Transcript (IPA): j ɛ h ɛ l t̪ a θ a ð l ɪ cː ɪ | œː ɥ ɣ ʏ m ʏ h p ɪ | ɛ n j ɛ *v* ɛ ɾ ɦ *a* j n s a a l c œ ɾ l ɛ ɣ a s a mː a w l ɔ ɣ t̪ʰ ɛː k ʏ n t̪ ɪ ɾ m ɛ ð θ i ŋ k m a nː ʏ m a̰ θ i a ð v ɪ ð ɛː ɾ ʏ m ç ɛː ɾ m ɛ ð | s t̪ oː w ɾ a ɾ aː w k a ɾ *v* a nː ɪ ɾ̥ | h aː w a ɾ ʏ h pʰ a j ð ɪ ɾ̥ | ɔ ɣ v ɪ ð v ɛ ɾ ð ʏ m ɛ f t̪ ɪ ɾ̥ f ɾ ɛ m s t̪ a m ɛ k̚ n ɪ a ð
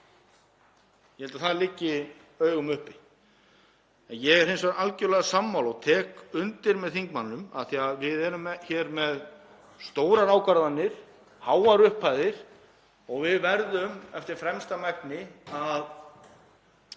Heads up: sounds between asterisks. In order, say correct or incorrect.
incorrect: ɣ, incorrect: e, incorrect: ð

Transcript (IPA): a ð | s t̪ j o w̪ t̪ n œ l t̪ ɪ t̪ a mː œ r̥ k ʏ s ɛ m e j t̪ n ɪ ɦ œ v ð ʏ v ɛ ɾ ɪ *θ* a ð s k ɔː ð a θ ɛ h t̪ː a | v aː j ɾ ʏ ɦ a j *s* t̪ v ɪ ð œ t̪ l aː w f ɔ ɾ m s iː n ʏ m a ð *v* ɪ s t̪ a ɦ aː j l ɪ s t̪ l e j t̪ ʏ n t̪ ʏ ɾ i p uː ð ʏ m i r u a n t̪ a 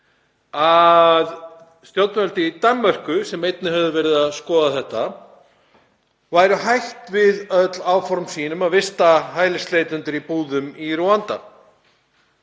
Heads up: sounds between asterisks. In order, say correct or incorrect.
incorrect: ð, incorrect: h, correct

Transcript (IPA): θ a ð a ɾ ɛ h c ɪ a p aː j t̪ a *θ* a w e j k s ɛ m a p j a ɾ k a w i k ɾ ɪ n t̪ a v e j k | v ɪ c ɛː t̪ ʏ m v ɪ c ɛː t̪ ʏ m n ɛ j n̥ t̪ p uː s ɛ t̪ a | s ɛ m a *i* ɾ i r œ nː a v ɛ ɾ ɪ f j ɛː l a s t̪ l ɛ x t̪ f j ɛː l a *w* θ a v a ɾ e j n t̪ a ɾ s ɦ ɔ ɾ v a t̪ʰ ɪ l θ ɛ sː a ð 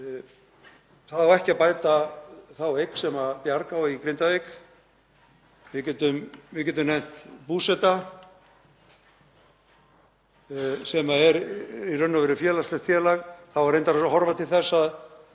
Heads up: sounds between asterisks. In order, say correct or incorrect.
correct, incorrect: ɛ, incorrect: ɣ

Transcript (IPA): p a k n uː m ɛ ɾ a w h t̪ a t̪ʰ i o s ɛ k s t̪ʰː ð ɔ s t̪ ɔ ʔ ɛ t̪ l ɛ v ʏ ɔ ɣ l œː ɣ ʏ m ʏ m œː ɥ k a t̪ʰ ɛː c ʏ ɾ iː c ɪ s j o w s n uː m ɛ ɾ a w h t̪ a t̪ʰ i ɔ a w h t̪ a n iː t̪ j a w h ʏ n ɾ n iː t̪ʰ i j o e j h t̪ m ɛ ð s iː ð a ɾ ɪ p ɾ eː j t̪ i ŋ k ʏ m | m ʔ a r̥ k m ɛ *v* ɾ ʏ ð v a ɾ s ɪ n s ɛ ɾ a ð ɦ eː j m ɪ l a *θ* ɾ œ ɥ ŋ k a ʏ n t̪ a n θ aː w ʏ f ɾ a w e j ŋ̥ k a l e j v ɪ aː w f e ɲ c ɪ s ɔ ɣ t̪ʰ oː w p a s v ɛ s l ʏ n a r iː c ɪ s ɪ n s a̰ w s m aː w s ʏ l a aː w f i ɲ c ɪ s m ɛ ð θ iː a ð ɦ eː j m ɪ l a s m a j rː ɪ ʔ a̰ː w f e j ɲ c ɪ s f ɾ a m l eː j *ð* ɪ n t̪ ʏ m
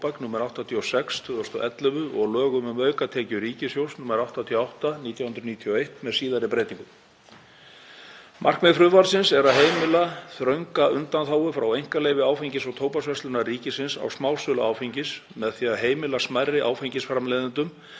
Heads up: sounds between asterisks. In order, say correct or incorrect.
incorrect: f, correct, correct

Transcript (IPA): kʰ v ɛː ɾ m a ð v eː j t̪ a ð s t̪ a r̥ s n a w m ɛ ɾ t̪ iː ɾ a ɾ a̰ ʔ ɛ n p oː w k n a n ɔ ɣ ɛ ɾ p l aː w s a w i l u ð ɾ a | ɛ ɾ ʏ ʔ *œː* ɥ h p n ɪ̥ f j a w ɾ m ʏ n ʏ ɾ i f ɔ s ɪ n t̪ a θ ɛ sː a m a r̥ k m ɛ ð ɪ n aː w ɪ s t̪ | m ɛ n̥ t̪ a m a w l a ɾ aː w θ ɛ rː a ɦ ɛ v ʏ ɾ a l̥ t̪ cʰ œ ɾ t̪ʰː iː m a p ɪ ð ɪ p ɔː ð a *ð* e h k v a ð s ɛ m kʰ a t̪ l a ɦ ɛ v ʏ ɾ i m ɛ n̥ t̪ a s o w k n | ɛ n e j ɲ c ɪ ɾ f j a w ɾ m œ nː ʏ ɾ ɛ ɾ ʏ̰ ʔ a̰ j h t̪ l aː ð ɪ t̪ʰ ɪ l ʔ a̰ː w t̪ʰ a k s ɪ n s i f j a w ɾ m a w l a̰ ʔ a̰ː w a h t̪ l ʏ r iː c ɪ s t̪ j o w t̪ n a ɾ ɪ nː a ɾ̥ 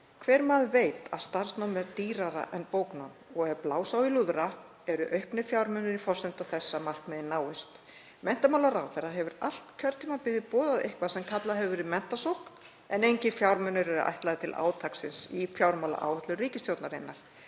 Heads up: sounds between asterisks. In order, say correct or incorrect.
incorrect: œ, correct

